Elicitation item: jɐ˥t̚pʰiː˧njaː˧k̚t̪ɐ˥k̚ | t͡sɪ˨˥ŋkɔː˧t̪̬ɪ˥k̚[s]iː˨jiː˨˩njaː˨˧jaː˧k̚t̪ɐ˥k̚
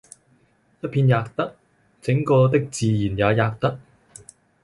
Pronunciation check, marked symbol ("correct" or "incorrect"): incorrect